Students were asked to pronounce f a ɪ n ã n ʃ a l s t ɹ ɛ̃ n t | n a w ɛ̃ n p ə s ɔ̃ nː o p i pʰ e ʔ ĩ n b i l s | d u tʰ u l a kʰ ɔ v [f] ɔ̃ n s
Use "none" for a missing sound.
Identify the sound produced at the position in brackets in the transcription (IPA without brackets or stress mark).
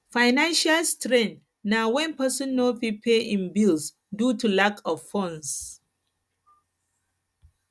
f